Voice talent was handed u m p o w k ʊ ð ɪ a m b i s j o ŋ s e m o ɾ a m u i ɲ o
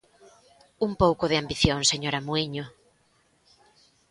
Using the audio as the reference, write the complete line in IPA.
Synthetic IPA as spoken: u m p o w k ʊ ð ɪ a m b i θ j o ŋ s e ɲ o ɾ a m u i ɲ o